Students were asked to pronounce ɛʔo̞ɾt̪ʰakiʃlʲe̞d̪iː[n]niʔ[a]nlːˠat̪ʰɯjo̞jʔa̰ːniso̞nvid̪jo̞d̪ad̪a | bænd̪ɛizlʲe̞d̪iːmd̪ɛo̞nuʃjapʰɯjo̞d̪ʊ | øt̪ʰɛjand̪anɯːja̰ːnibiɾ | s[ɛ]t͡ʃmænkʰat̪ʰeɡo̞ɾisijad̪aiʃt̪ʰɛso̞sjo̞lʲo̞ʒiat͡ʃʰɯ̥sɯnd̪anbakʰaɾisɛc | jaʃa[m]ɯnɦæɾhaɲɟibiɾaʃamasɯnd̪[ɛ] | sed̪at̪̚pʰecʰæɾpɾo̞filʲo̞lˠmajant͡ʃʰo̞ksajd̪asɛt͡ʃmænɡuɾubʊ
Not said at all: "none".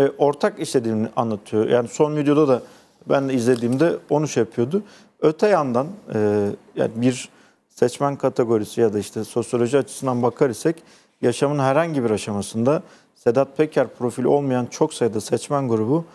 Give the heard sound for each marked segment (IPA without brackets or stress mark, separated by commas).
m, a, ɛ, m, a